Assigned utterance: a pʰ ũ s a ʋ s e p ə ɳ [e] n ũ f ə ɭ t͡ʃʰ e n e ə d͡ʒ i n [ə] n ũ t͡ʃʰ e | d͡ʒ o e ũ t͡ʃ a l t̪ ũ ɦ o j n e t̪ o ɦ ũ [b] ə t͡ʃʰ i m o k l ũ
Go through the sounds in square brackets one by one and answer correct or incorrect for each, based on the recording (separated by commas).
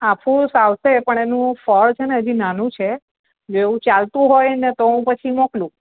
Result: correct, incorrect, incorrect